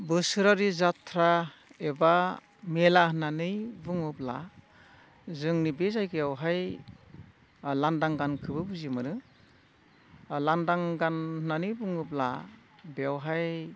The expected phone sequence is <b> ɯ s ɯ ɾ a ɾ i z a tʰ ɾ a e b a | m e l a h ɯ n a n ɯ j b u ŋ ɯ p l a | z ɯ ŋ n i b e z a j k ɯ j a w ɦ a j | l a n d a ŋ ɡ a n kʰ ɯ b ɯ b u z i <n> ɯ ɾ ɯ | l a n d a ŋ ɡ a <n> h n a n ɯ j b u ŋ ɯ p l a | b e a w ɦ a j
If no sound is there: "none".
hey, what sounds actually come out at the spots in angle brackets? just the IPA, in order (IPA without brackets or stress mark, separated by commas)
b, m, n